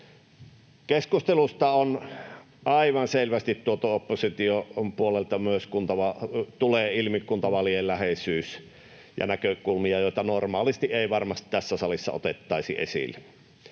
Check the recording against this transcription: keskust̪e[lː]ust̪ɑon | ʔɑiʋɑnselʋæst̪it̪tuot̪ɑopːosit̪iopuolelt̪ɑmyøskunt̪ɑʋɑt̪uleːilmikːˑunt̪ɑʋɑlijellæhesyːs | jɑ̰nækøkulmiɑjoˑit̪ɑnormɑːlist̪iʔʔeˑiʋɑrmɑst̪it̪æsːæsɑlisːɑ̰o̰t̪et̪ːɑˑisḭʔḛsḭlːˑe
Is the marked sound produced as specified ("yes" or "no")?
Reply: no